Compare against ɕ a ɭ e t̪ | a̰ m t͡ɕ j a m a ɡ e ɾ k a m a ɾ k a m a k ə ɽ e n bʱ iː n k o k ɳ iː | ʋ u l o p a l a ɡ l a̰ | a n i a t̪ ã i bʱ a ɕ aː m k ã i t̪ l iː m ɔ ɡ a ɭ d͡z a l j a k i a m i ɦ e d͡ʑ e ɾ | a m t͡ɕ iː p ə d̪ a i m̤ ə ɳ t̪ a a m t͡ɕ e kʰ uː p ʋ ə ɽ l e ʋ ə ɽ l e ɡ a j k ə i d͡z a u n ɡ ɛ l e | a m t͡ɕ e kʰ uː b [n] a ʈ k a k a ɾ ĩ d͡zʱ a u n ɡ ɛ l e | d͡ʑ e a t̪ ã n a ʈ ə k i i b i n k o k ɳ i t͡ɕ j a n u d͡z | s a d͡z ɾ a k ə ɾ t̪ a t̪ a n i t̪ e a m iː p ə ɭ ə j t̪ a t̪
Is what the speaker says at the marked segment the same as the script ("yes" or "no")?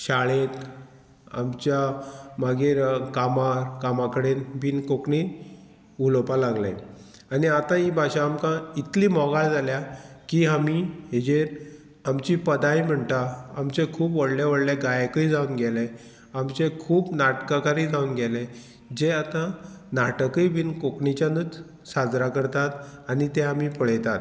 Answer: yes